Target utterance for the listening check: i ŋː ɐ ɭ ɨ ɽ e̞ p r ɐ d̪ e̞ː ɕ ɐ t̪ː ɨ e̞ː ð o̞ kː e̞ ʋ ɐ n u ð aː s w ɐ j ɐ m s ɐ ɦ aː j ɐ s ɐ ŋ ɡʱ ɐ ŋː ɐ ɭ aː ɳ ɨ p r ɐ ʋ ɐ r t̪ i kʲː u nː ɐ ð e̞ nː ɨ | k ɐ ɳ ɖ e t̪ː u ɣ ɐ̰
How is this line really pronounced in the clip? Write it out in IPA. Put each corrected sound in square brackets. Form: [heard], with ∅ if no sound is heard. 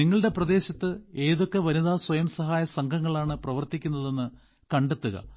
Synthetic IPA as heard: i ŋː ɐ ɭ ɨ ɽ e̞ p r ɐ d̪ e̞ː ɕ ɐ t̪ː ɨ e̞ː ð o̞ kː e̞ ʋ ɐ n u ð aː s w ɐ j ɐ m s ɐ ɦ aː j ɐ s ɐ ŋ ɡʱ ɐ ŋː ɐ ɭ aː ɳ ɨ p r ɐ ʋ ɐ r t̪ i kʲː u nː ɐ ð e̞ nː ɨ | k ɐ ɳ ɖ e t̪ː u ɣ ɐ̰

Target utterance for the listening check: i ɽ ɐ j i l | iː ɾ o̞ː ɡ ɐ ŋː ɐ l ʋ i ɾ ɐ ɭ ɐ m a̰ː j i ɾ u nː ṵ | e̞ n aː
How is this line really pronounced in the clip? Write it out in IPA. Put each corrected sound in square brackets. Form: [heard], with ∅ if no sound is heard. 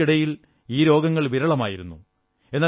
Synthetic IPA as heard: i ɽ ɐ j i l | iː ɾ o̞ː ɡ ɐ ŋː ɐ [ɭ] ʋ i ɾ ɐ ɭ ɐ m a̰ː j i ɾ u nː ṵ | e̞ [nː] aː

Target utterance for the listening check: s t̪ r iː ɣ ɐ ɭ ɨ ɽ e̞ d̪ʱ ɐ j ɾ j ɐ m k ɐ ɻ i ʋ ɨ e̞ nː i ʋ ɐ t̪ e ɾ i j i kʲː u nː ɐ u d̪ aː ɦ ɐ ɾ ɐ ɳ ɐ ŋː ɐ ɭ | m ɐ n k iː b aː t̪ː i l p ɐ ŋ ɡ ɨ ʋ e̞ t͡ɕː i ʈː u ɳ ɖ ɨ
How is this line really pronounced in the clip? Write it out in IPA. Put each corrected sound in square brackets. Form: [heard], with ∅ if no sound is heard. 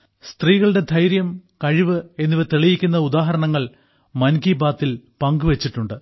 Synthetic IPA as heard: s t̪ r iː ɣ ɐ ɭ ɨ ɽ e̞ d̪ʱ ɐ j ɾ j ɐ m k ɐ ɻ i ʋ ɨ e̞ nː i ʋ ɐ t̪ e [ɭ] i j i kʲː u nː ɐ u d̪ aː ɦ ɐ ɾ ɐ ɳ ɐ ŋː ɐ ɭ | m ɐ n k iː b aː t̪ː i l p ɐ ŋ ɡ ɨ ʋ e̞ t͡ɕː i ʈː u ɳ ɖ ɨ

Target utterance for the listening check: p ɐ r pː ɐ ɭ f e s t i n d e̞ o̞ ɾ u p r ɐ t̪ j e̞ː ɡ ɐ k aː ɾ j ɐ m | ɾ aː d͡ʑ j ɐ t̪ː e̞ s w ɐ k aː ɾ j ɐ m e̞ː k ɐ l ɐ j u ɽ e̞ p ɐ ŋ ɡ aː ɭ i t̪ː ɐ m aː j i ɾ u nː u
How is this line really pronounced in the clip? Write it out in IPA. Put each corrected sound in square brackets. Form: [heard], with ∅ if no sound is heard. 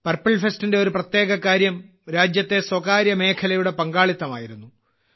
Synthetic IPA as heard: p ɐ r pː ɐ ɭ f e s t i n d e̞ o̞ ɾ u p r ɐ t̪ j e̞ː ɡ ɐ k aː ɾ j ɐ m | ɾ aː d͡ʑ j ɐ t̪ː e̞ s w ɐ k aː ɾ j ɐ m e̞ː [kʰ] ɐ l ɐ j u ɽ e̞ p ɐ ŋ ɡ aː ɭ i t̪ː ɐ m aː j i ɾ u nː u

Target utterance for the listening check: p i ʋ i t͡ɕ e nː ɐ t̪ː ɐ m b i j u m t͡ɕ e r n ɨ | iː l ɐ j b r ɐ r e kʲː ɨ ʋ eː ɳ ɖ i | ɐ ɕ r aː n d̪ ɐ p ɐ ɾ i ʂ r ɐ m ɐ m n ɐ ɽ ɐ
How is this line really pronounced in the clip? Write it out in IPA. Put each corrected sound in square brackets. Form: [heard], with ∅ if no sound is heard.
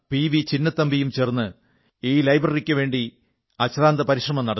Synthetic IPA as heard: p i ʋ i t͡ɕ [i] nː ɐ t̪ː ɐ m b i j u m t͡ɕ e r [nː] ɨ | iː l ɐ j b r ɐ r [i] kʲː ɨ ʋ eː ɳ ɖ i | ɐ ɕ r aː n d̪ ɐ p ɐ ɾ i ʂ r ɐ m ɐ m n ɐ ɽ ɐ

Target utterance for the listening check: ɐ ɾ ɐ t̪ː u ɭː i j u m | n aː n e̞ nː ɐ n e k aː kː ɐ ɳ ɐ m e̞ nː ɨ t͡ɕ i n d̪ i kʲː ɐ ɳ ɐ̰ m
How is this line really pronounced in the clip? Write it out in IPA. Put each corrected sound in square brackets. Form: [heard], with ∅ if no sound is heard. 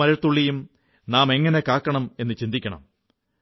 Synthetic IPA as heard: ɐ ɾ ɐ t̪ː u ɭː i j u m | n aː [m] e̞ [ŋː] ɐ n e k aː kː ɐ ɳ ɐ m e̞ nː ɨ t͡ɕ i n d̪ i kʲː ɐ ɳ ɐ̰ m

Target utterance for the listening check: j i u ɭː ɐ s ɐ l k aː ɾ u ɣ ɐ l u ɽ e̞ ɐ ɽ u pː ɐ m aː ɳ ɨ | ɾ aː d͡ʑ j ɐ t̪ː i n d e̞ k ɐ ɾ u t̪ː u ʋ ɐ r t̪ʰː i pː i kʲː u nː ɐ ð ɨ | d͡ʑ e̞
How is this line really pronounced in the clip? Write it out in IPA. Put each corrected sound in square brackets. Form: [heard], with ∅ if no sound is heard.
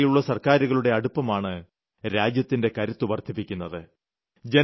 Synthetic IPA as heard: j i u ɭː ɐ s ɐ [r] k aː ɾ u ɣ ɐ [ɭ] u ɽ e̞ ɐ ɽ u pː ɐ m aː ɳ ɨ | ɾ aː d͡ʑ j ɐ t̪ː i n d e̞ k ɐ ɾ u t̪ː u ʋ ɐ r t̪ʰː i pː i kʲː u nː ɐ ð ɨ | d͡ʑ e̞

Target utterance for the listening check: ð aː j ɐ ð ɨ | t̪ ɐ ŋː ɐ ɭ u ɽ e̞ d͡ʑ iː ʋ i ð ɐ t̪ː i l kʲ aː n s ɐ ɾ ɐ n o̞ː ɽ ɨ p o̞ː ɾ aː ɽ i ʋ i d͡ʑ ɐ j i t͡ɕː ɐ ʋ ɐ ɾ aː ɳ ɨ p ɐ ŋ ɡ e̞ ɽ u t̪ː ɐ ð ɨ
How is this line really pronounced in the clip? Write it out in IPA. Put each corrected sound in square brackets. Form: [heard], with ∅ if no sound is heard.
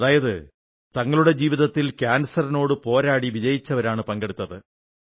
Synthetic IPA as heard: ð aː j ɐ ð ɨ | t̪ ɐ ŋː ɐ ɭ u ɽ e̞ d͡ʑ iː ʋ i ð ɐ t̪ː i l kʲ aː n s ɐ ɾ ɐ n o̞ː ɽ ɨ p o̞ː ɾ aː ɽ i ʋ i d͡ʑ ɐ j i t͡ɕː ɐ ʋ ɐ ɾ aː ɳ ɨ p ɐ ŋ ɡ e̞ ɽ u t̪ː ɐ ð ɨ

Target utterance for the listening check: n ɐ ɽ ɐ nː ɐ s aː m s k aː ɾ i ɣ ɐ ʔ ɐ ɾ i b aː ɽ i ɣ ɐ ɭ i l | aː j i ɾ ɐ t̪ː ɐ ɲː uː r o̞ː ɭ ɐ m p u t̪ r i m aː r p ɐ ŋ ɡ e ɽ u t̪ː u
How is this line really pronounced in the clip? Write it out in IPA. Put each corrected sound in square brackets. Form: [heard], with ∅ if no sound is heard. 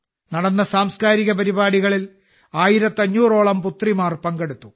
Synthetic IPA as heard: n ɐ ɽ ɐ nː ɐ s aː m s k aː ɾ i ɣ ɐ [p] ɐ ɾ i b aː ɽ i ɣ ɐ ɭ i l | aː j i ɾ ɐ t̪ː ɐ ɲː uː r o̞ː ɭ ɐ m p u t̪ r i m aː r p ɐ ŋ ɡ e ɽ u t̪ː u

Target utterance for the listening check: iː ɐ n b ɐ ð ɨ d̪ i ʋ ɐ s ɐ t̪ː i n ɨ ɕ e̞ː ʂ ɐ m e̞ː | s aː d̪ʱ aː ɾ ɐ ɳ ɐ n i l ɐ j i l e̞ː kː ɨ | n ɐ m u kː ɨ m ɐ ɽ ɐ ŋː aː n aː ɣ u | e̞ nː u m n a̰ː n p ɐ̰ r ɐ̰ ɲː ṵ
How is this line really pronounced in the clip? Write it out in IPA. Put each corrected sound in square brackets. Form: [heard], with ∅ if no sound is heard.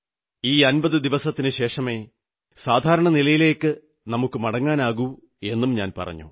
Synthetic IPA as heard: iː ɐ n b ɐ ð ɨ d̪ i ʋ ɐ s ɐ t̪ː i n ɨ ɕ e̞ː ʂ ɐ m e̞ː | s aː d̪ʱ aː ɾ ɐ ɳ ɐ n i l ɐ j i l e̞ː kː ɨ | n ɐ m u kː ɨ m ɐ ɽ ɐ ŋː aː n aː ɣ u | e̞ nː u m [ɲ] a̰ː n p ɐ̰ r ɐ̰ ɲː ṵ

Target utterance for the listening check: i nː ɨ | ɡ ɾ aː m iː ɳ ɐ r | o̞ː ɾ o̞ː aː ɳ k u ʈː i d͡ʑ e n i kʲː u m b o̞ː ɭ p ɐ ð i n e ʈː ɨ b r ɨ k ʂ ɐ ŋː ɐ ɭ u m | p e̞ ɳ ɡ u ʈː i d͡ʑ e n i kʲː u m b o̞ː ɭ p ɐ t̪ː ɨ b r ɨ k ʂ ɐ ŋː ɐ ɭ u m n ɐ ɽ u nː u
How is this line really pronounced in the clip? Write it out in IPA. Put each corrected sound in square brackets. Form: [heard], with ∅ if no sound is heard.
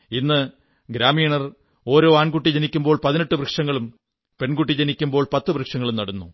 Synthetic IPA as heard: i nː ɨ | ɡ ɾ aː m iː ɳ ɐ r | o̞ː ɾ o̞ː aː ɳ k u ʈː i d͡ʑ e n i kʲː u m b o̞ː ɭ p ɐ ð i n e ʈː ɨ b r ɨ k ʂ ɐ ŋː ɐ ɭ u m | p e̞ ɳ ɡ u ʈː i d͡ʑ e n i kʲː u m b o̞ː ɭ p ɐ t̪ː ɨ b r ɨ k ʂ ɐ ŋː ɐ ɭ u m n ɐ ɽ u nː u

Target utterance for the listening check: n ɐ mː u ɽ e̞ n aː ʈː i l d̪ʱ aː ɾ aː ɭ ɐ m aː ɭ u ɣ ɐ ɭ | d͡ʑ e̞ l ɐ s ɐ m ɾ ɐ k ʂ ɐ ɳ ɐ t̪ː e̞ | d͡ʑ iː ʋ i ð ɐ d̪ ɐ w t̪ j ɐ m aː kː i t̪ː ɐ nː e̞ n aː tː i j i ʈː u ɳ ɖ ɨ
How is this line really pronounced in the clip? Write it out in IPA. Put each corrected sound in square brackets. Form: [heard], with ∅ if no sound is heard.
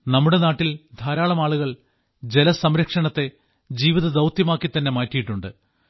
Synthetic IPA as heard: n ɐ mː u ɽ e̞ n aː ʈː i l d̪ʱ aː ɾ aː ɭ ɐ m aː ɭ u ɣ ɐ ɭ | d͡ʑ e̞ l ɐ s ɐ m ɾ ɐ k ʂ ɐ ɳ ɐ t̪ː e̞ | d͡ʑ iː ʋ i ð ɐ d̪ ɐ w t̪ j ɐ m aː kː i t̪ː ɐ nː e̞ [m] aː tː i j i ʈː u ɳ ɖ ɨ

